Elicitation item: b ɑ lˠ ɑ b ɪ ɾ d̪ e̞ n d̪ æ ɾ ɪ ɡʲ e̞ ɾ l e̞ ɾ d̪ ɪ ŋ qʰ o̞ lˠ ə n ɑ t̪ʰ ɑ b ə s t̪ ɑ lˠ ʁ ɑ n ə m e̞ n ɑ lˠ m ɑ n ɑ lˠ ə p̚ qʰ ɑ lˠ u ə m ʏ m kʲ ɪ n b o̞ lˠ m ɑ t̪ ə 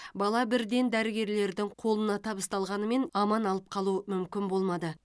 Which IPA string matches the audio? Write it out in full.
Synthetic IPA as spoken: b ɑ lˠ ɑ b ɪ ɾ d̪ e̞ n d̪ æ ɾ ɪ ɡʲ e̞ ɾ l e̞ ɾ d̪ ɪ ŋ qʰ o̞ lˠ ə n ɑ t̪ʰ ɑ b ə s t̪ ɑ lˠ ʁ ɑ n ə m e̞ n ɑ m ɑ n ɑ lˠ ə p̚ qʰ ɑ lˠ u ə m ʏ m kʲ ɪ n b o̞ lˠ m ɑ d̪ ə